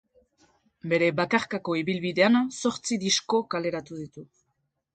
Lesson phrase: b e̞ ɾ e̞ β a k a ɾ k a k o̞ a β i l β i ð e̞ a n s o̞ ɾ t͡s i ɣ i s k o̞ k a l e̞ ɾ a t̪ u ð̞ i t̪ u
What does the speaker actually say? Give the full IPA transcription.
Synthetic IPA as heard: b e̞ ɾ e̞ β a k a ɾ k a k o̞ i β i l β i ð e̞ a n s o̞ ɾ t͡s i ð i s k o̞ k a l e̞ ɾ a t̪ u ð̞ i t̪ u